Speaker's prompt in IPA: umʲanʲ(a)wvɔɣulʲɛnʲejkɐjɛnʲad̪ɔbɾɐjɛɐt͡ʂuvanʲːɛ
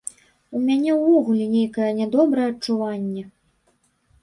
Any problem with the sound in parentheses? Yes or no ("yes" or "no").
yes